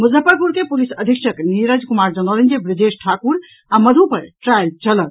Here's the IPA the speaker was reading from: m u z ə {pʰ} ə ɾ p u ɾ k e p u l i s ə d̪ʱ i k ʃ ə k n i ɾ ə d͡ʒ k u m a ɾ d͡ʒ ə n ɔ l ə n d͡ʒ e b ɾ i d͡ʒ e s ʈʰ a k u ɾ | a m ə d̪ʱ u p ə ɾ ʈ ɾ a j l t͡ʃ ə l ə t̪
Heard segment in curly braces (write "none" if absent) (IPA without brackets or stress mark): p